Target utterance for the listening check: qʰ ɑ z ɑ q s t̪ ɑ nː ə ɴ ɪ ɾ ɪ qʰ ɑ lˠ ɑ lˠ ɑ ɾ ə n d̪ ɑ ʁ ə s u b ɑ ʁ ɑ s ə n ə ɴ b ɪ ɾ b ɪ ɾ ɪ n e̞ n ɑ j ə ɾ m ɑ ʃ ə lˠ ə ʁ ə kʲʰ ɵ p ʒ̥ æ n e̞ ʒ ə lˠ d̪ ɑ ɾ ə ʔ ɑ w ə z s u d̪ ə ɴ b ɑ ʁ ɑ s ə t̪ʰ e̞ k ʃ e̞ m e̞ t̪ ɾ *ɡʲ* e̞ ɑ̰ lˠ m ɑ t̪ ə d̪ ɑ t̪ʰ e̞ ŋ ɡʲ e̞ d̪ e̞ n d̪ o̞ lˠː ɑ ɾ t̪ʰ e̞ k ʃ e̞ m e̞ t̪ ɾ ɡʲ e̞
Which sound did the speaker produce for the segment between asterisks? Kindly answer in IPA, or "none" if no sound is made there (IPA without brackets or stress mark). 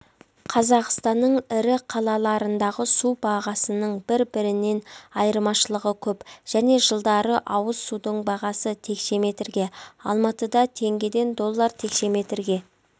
ɡʲ